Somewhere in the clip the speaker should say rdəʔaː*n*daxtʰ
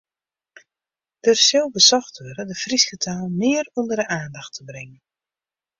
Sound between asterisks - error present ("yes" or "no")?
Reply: no